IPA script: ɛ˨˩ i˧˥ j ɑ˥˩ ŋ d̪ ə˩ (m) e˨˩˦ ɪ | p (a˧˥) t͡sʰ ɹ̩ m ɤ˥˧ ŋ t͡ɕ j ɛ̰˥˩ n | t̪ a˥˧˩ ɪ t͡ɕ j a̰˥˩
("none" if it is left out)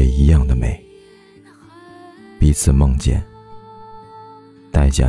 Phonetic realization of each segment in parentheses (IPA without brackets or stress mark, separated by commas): m, i˧˥